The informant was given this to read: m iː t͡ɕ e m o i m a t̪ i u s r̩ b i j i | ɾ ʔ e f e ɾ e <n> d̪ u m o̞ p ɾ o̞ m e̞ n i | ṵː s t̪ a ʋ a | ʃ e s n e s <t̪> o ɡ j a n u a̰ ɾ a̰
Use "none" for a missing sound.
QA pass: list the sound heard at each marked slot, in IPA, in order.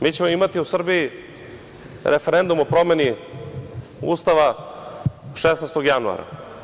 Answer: n, t̪

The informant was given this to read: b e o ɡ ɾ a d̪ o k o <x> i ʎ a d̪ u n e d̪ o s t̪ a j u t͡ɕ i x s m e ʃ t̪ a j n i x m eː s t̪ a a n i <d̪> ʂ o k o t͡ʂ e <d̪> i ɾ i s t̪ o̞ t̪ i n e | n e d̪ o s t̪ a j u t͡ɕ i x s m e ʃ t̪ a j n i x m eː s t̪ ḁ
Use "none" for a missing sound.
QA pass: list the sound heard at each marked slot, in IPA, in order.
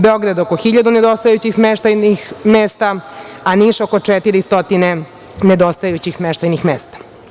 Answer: x, none, t̪

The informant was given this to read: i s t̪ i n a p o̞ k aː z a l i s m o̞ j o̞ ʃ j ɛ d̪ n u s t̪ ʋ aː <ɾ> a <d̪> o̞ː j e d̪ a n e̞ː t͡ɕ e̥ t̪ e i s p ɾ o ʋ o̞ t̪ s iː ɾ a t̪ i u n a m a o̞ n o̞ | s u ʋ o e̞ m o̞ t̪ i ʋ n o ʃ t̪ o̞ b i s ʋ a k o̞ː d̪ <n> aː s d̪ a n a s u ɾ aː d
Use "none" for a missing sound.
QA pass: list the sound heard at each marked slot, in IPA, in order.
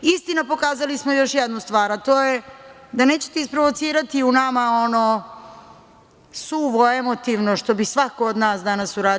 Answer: ɾ, t̪, n

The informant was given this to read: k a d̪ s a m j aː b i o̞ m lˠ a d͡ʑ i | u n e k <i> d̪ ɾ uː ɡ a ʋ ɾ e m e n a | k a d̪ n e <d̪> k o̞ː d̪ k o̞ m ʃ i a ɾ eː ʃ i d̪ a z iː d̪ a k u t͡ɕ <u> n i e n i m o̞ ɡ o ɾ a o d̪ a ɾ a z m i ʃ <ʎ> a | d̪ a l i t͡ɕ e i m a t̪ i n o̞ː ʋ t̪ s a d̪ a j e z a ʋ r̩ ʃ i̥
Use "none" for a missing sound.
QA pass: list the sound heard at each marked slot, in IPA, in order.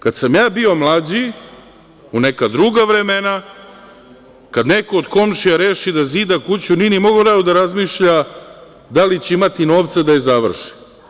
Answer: a, none, u, ʎ

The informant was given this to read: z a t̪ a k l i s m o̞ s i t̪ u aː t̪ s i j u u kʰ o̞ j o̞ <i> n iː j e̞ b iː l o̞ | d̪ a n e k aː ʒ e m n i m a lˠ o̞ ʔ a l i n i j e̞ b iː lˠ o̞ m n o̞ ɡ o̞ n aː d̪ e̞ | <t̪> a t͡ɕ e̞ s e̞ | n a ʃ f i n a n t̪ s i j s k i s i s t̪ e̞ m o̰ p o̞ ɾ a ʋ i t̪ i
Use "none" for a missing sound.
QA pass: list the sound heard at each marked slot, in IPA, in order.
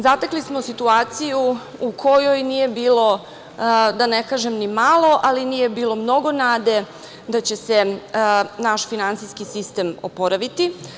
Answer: j, d̪

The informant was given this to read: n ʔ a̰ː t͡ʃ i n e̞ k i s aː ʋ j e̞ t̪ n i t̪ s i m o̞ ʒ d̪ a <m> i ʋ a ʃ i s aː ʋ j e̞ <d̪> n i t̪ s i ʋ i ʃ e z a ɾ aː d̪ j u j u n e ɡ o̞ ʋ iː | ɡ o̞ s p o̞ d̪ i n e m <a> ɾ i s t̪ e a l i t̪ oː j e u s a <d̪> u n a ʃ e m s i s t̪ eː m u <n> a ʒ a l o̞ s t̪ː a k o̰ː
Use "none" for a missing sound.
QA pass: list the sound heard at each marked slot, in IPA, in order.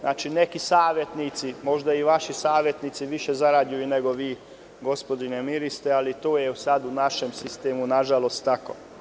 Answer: none, t̪, i, d̪, n

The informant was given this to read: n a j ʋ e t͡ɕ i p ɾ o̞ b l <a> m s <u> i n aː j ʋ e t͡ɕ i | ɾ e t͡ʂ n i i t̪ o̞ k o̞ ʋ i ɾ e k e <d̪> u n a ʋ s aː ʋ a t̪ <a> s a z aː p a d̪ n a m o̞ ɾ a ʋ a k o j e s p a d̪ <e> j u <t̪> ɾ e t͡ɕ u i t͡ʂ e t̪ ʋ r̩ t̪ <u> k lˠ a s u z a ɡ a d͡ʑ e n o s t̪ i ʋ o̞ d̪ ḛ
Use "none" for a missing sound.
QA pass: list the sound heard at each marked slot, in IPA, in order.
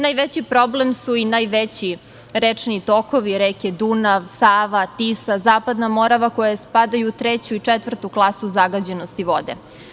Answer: e, u, d̪, i, a, t̪, u

